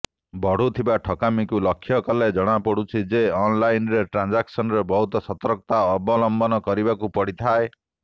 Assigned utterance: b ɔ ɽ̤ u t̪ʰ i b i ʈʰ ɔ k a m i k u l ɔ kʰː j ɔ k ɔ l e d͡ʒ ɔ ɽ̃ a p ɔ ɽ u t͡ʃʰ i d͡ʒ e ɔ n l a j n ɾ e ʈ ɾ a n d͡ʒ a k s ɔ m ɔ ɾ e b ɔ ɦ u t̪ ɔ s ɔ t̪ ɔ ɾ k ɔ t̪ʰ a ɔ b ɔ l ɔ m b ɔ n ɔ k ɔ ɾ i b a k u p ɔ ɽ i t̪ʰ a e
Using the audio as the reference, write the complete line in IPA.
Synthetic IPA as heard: b ɔ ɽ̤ u t̪ʰ i b a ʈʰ ɔ k a m i k u l ɔ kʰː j ɔ k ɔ l e d͡ʒ ɔ ɽ̃ a p ɔ ɽ u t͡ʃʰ i d͡ʒ e ɔ n l a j n ɾ e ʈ ɾ a n d͡ʒ a k s ɔ n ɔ ɾ e b ɔ ɦ u t̪ ɔ s ɔ t̪ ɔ ɾ k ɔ t̪ a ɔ b ɔ l ɔ m b ɔ n ɔ k ɔ ɾ i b a k u p ɔ ɽ i t̪ʰ a e